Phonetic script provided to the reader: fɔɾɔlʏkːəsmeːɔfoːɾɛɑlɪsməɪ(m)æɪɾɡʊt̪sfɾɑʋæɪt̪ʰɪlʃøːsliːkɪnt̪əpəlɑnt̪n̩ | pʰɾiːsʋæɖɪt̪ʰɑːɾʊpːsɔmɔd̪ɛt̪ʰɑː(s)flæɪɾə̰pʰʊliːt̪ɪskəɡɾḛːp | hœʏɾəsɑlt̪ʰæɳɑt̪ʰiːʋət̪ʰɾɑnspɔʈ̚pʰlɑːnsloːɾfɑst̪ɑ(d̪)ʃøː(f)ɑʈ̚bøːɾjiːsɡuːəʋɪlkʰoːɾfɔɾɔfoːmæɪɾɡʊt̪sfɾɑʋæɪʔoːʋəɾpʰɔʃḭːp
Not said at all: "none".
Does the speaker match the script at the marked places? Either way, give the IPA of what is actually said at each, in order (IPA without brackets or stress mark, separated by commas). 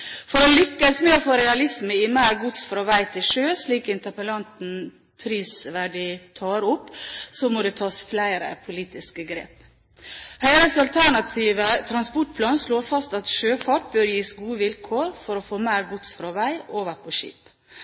m, s, t̪, f